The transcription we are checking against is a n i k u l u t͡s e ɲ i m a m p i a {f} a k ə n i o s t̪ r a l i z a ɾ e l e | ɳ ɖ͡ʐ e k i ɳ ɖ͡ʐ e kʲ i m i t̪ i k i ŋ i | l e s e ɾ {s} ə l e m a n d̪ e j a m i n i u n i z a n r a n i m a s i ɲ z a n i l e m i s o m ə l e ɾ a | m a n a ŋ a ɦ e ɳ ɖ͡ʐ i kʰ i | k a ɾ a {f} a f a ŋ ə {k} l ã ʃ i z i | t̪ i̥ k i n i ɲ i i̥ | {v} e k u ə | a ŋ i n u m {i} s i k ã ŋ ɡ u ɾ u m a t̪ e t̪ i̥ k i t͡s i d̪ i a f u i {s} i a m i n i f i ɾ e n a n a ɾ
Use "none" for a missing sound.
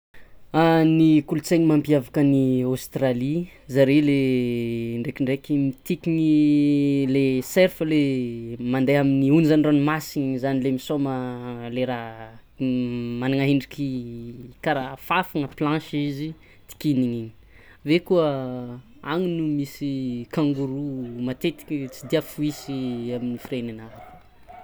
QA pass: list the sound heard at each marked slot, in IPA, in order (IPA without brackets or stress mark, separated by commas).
v, f, f, p, v, i, s